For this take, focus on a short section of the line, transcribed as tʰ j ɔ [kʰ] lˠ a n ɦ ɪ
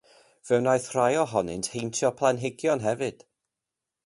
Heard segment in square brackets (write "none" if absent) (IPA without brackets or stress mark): pʰ